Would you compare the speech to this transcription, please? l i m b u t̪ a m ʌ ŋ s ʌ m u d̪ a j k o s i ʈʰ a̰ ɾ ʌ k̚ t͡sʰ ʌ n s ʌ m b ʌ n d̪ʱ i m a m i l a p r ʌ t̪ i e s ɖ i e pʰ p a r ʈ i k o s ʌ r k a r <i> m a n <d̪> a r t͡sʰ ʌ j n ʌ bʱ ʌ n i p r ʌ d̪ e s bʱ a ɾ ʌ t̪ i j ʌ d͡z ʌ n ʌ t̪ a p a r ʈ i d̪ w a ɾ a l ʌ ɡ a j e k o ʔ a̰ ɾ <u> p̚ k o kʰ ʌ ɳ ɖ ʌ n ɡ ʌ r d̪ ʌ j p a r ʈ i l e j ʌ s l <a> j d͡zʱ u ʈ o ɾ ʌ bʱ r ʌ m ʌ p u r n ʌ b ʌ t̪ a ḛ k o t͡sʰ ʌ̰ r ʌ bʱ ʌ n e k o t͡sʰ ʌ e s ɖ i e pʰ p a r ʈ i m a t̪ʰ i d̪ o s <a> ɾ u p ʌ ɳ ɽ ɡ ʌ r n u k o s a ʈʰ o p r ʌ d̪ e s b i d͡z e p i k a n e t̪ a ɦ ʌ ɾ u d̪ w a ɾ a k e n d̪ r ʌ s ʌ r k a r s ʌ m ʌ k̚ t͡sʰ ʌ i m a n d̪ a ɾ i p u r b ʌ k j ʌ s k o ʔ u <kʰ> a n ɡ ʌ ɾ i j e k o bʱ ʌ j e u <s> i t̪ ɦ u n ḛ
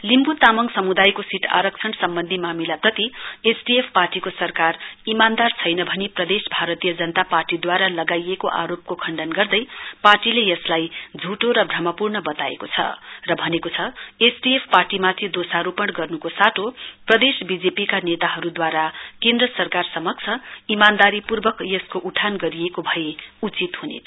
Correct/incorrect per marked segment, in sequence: correct, correct, incorrect: o, correct, correct, incorrect: ʈʰ, incorrect: t͡s

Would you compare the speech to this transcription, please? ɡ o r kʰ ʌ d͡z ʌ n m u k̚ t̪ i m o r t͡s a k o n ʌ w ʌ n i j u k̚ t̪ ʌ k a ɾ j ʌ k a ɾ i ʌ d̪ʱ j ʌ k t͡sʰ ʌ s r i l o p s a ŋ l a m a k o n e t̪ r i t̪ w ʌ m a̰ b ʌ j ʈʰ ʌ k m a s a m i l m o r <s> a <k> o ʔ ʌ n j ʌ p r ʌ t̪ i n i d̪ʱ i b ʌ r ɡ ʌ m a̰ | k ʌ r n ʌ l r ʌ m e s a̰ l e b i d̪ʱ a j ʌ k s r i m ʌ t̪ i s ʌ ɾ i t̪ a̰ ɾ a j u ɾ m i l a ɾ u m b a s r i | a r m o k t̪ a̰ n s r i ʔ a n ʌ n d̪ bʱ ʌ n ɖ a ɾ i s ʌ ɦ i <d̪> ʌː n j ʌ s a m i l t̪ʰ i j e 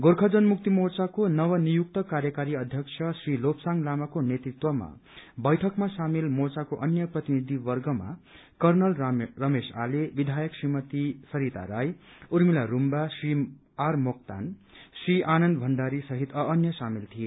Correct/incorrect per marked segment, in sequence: incorrect: t͡s, correct, incorrect: t̪

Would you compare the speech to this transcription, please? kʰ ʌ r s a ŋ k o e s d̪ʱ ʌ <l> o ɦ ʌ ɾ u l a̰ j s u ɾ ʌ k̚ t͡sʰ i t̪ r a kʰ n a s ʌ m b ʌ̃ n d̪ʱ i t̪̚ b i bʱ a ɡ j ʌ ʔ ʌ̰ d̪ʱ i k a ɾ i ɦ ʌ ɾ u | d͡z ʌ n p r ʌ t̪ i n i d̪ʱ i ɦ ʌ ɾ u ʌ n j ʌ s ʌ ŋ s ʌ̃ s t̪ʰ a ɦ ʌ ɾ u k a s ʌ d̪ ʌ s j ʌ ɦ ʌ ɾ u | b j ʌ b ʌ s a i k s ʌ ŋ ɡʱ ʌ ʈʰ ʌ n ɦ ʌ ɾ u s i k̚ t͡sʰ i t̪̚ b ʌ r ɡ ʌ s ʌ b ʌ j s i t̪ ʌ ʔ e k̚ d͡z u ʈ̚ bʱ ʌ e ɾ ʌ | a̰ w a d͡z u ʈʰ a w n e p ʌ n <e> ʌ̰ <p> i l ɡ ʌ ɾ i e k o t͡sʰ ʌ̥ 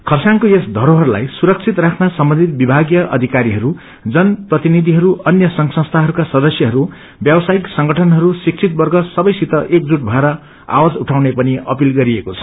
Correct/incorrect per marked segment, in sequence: incorrect: ɾ, incorrect: i, correct

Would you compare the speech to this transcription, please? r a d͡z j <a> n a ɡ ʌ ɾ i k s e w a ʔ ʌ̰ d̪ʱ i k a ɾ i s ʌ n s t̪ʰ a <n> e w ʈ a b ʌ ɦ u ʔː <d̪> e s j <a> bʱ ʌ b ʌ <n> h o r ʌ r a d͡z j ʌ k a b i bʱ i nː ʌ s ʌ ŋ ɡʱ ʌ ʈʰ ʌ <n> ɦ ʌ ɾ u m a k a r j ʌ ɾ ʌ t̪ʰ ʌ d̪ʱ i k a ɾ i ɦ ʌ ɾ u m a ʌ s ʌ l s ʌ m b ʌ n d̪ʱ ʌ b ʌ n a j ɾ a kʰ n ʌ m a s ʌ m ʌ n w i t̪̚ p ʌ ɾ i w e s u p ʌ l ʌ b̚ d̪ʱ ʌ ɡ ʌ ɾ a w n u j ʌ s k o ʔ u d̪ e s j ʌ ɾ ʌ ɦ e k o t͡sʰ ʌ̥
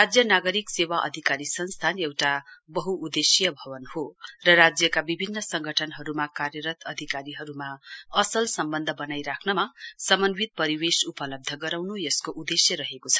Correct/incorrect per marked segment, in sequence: incorrect: ʌ, correct, correct, incorrect: ʌ, correct, correct

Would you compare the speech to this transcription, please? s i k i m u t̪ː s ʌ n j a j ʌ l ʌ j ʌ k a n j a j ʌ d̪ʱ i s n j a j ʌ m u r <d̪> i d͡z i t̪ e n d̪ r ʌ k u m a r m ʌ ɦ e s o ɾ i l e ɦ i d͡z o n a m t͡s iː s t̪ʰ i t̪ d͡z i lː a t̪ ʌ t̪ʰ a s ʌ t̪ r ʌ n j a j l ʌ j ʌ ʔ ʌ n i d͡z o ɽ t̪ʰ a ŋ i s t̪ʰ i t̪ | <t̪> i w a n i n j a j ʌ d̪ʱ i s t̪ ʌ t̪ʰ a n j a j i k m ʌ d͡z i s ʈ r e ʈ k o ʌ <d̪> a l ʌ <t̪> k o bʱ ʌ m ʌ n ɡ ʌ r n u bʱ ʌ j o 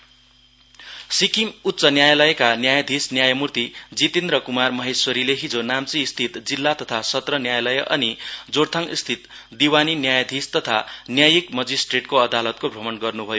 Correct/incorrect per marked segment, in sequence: incorrect: t̪, incorrect: d̪, correct, correct

